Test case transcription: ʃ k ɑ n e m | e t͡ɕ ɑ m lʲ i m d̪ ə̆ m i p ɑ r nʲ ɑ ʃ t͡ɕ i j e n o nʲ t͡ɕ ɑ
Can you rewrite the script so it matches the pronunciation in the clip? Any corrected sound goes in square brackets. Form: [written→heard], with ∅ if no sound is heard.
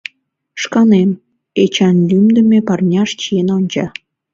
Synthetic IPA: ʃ k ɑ n e m | e t͡ɕ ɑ [m→n] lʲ [i→y] m d̪ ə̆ m [i→e] p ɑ r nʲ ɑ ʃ t͡ɕ i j e n o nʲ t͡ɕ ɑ